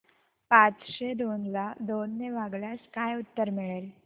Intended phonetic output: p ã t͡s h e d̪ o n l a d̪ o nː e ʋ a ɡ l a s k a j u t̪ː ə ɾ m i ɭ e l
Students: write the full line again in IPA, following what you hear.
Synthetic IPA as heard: p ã t͡s ɕ e d̪ o n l a d̪ o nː e ʋ a ɡ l a s k a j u t̪ː ə ɾ m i ɭ e l